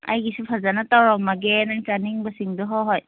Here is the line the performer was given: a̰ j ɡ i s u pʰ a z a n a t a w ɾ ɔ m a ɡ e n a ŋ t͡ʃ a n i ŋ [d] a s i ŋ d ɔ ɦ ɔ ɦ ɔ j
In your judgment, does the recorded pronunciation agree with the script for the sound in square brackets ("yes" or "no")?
no